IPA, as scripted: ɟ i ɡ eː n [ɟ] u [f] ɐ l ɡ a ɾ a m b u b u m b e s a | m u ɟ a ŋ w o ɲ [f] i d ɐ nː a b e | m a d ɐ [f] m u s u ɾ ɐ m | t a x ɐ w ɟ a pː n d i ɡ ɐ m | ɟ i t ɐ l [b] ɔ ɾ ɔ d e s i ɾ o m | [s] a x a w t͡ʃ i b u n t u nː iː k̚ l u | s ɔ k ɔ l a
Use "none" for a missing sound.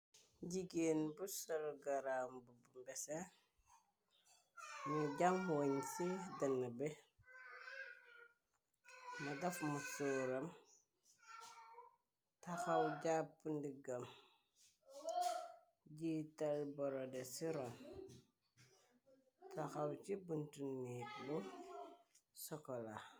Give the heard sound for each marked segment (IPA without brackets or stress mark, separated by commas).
b, s, s, f, b, t